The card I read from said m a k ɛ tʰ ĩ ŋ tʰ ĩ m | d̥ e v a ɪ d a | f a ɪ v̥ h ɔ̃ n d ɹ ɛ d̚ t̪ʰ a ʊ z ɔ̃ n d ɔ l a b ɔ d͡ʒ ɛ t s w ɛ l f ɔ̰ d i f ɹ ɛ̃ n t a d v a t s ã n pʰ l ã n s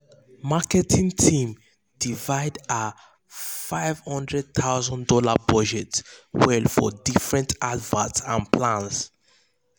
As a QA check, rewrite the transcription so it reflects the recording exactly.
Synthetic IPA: m a k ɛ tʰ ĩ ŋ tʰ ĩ m | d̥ i v a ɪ d a | f a ɪ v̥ h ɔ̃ n d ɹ ɛ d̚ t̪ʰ a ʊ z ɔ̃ n d ɔ l a b ɔ d͡ʒ ɛ t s w ɛ l f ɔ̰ d i f ɹ ɛ̃ n t a d v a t s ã n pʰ l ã n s